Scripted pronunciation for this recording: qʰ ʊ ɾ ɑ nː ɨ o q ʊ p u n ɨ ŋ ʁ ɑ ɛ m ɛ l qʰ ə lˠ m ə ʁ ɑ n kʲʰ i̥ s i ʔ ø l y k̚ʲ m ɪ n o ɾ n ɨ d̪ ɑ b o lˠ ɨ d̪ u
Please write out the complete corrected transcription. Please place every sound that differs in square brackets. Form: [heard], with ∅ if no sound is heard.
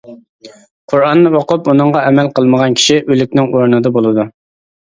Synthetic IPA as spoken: qʰ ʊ ɾ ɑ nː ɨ o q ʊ p u n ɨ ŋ ʁ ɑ ɛ m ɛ l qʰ ə lˠ m ə ʁ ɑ n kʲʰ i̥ [ʃ] i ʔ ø l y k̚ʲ [n] ɪ [ŋ] o ɾ n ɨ d̪ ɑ b o lˠ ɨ d̪ u